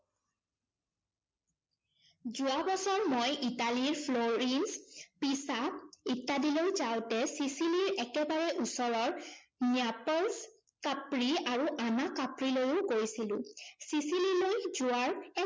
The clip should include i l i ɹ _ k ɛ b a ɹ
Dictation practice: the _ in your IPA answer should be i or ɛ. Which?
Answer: ɛ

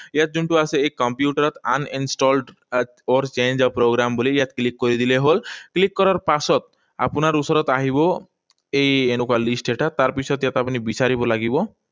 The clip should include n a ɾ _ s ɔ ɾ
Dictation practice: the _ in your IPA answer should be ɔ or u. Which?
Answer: u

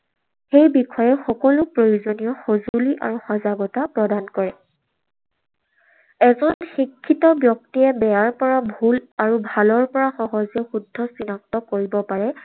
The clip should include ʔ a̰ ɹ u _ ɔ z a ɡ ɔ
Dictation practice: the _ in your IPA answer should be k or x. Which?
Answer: x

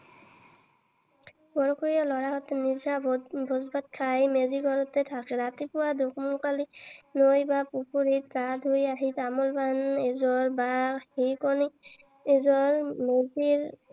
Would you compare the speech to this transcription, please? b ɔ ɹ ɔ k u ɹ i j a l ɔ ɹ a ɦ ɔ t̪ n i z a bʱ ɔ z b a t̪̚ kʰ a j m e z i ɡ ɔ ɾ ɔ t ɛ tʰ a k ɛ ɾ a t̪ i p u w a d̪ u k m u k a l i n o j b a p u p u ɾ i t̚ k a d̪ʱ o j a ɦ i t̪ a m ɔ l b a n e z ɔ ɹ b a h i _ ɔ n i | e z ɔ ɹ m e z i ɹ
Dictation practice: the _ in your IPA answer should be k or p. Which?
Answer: k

